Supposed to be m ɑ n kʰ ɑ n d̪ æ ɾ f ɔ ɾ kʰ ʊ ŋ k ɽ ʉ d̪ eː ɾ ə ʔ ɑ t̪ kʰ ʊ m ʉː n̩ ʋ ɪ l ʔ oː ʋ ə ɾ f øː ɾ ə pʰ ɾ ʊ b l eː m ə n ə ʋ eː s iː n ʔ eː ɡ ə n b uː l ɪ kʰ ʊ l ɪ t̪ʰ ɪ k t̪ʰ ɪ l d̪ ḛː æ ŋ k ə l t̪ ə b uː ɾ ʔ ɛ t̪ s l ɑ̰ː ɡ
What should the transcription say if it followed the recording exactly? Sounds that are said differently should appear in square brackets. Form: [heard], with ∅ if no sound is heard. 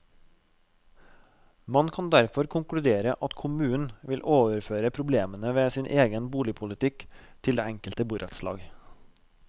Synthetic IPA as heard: m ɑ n kʰ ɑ n d̪ æ ɾ f ɔ ɾ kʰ ʊ ŋ k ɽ ʉ d̪ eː ɾ ə ʔ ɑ t̪ kʰ ʊ m ʉː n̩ ʋ ɪ l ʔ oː ʋ ə ɾ f øː ɾ ə pʰ ɾ ʊ b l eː m ə n ə ʋ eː s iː n ʔ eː ɡ ə n b uː l ɪ [pʰ] ʊ l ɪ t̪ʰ ɪ k t̪ʰ ɪ l d̪ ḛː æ ŋ k ə l t̪ ə b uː ɾ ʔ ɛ t̪ s l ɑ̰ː ɡ

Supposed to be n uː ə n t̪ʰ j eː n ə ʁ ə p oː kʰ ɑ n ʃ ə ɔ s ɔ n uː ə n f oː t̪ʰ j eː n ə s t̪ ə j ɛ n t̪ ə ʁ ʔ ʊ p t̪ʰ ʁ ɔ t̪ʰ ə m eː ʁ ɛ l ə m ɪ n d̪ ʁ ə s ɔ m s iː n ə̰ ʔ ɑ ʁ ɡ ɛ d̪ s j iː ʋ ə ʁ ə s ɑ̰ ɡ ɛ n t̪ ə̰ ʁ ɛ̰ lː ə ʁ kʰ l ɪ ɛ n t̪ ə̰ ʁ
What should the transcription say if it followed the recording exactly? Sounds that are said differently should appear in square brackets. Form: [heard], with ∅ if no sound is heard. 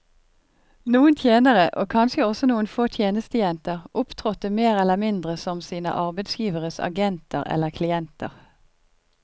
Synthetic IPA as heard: n uː ə n t̪ʰ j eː n ə ʁ ə [ʔ] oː kʰ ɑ n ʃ ə ɔ s ɔ n uː ə n f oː t̪ʰ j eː n ə s t̪ ə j ɛ n t̪ ə ʁ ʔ ʊ p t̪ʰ ʁ ɔ [t̪] ə m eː ʁ ɛ l ə m ɪ n d̪ ʁ ə s ɔ m s iː n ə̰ ʔ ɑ ʁ [b] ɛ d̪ s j iː ʋ ə ʁ ə s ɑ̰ ɡ ɛ n t̪ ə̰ ʁ ɛ̰ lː ə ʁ kʰ l ɪ ɛ n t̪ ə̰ ʁ

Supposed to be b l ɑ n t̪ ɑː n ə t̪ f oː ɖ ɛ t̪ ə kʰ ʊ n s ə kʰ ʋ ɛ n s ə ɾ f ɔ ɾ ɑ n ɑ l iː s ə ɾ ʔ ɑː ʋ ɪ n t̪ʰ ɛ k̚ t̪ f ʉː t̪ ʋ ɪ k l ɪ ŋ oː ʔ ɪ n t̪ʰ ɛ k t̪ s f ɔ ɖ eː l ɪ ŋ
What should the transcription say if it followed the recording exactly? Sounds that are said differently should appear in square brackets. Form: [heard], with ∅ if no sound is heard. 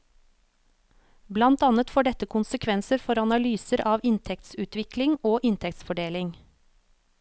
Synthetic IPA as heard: b l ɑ n t̪ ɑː n ə t̪ f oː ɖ ɛ t̪ ə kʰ ʊ n s ə kʰ ʋ ɛ n s ə ɾ f ɔ ɾ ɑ n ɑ l [yː] s ə ɾ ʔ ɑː ʋ ɪ n t̪ʰ ɛ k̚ t̪ [s] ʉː t̪ ʋ ɪ k l ɪ ŋ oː ʔ ɪ n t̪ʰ ɛ k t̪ s f ɔ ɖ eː l ɪ ŋ

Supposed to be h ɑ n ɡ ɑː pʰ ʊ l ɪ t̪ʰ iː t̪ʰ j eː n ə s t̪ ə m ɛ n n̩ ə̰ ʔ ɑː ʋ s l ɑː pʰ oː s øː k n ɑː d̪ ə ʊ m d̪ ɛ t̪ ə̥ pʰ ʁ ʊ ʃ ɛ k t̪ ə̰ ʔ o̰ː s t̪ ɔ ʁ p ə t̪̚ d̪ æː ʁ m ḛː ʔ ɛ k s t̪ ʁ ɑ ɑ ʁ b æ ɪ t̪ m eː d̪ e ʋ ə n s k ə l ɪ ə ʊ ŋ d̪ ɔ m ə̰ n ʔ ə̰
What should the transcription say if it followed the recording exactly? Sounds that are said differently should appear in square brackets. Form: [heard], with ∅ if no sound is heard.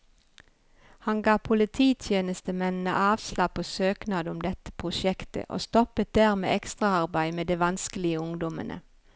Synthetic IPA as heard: h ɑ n ɡ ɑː pʰ ʊ l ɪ t̪ʰ iː t̪ʰ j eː n ə s t̪ ə m ɛ n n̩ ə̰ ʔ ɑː ʋ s l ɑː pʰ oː s øː k n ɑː d̪ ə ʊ m d̪ ɛ t̪ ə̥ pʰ ʁ ʊ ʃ ɛ k t̪ ə̰ ʔ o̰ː s t̪ ɔ [∅] p ə t̪̚ d̪ æː ʁ m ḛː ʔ ɛ k s t̪ ʁ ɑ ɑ ʁ b æ ɪ [∅] m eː d̪ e ʋ [ɑ] n s k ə l ɪ ə ʊ ŋ d̪ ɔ m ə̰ n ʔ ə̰

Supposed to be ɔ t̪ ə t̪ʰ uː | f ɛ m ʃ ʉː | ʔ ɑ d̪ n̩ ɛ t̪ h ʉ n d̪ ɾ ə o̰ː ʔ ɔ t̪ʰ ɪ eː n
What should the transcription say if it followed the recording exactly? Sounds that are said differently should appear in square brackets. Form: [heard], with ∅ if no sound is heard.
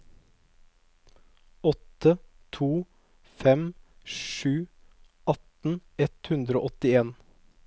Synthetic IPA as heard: ɔ t̪ ə t̪ʰ uː | f ɛ m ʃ ʉː | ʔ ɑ [t̪] n̩ ɛ t̪ h ʉ n d̪ ɾ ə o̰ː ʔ ɔ [t̪] ɪ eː n

